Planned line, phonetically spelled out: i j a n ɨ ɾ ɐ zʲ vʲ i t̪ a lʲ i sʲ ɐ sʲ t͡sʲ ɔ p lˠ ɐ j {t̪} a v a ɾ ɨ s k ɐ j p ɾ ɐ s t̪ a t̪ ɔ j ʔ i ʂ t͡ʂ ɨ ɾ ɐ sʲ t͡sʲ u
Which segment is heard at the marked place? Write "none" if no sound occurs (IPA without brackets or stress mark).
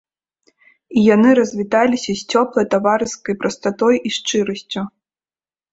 t̪